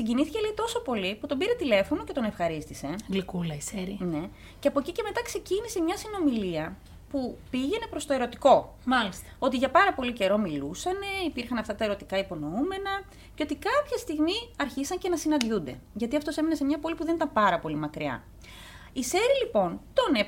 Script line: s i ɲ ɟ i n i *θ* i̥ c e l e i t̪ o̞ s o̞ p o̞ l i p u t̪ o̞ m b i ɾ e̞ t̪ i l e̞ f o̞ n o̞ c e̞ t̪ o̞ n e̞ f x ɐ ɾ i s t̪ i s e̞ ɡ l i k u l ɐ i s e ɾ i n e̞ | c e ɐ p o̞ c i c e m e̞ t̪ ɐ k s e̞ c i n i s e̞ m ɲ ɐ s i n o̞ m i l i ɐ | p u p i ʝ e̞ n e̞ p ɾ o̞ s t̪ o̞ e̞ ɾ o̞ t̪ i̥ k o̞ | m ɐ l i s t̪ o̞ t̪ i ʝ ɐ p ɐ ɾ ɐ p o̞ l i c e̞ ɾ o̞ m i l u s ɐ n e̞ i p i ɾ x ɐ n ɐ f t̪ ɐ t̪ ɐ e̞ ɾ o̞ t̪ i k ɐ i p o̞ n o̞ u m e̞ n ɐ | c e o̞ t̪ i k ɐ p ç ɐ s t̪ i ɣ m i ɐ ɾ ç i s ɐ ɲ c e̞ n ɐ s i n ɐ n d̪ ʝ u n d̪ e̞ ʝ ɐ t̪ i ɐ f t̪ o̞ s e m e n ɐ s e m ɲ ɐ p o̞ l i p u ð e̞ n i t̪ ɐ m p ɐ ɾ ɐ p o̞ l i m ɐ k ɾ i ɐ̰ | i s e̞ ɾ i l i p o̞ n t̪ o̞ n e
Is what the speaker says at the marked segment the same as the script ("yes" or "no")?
yes